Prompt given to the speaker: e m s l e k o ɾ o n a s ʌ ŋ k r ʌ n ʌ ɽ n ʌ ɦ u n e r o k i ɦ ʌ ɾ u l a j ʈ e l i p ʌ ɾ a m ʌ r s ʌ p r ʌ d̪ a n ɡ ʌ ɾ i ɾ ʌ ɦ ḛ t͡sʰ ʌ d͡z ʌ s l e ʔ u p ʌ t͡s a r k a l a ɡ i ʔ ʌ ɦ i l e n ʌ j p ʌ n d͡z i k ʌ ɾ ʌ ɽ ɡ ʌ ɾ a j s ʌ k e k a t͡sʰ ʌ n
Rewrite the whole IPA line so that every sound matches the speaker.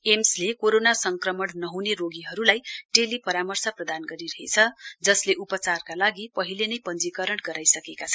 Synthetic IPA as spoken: e m s l e k o ɾ o n a s ʌ ŋ k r ʌ m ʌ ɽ n ʌ ɦ u n e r o ɡ i ɦ ʌ ɾ u l a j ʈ e l i p ʌ ɾ a m ʌ r s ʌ p r ʌ d̪ a n ɡ ʌ ɾ i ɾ ʌ ɦ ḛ t͡sʰ ʌ d͡z ʌ s l e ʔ u p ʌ t͡s a r k a l a ɡ i p ʌ ɦ i l e n ʌ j p ʌ n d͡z i k ʌ ɾ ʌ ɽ ɡ ʌ ɾ a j s ʌ k e k a t͡sʰ ʌ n